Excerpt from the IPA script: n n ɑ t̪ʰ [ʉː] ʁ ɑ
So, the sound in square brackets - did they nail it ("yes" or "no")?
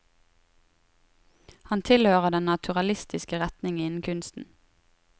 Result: no